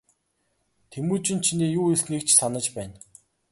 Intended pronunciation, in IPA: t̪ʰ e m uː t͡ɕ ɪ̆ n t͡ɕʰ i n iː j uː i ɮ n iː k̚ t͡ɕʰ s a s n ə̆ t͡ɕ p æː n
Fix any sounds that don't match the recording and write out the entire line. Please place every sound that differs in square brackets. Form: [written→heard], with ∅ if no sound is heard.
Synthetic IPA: t̪ʰ e m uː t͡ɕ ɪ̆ n t͡ɕʰ i n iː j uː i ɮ n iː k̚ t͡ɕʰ s a [s→∅] n ə̆ t͡ɕ p æː n